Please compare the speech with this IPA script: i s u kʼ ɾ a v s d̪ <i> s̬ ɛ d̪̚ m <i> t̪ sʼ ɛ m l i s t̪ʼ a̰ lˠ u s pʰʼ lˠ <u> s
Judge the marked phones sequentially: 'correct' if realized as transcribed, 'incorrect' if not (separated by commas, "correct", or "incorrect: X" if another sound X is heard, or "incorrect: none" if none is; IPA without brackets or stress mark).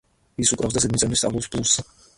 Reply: incorrect: a, correct, correct